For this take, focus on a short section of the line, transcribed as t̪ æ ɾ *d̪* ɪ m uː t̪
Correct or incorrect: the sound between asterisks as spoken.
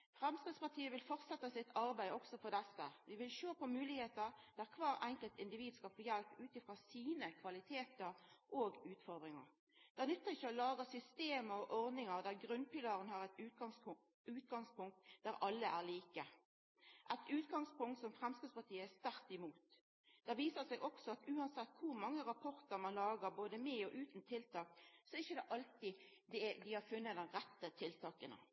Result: incorrect: t̪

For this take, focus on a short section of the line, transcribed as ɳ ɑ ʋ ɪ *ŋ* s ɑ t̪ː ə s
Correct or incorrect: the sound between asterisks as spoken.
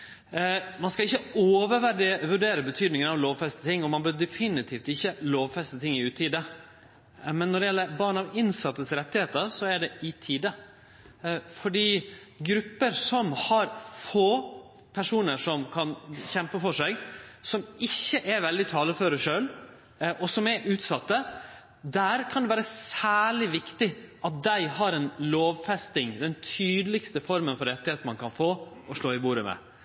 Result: incorrect: n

